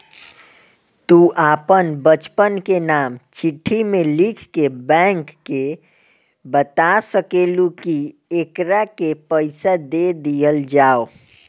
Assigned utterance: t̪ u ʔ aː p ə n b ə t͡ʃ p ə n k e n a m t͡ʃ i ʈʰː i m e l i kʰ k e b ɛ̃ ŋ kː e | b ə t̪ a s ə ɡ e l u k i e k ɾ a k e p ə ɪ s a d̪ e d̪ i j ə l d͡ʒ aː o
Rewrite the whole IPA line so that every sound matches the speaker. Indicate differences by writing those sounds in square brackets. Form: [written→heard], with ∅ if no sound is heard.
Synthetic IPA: t̪ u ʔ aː p ə n b ə t͡ʃ p ə n k e n a m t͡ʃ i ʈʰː i m e l i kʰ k e b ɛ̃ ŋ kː e | b ə t̪ a s ə [ɡ→k] e l u k i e k ɾ a k e p ə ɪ s a d̪ e d̪ i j ə l d͡ʒ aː o